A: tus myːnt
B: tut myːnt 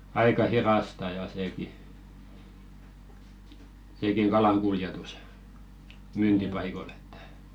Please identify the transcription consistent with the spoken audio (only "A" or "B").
A